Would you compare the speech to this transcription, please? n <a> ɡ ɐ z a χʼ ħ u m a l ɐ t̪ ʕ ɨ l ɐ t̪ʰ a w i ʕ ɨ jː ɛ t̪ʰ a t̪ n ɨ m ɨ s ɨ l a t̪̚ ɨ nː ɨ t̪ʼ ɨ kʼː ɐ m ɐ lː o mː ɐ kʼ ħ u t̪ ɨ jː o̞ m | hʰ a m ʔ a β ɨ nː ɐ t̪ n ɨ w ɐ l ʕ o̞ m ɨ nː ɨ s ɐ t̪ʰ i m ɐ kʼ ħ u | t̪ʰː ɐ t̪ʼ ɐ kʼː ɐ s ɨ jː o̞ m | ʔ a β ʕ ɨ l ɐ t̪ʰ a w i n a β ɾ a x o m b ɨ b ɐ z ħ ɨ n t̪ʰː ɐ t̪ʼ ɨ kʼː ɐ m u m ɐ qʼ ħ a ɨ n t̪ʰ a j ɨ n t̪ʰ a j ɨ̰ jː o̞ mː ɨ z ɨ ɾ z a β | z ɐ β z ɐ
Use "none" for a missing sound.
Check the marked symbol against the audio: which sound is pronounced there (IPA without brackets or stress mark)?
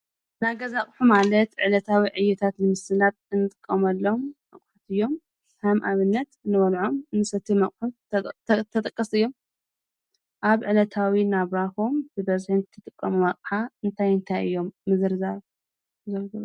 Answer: a